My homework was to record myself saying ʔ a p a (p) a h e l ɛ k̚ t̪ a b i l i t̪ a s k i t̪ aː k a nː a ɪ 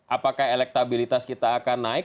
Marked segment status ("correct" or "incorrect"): incorrect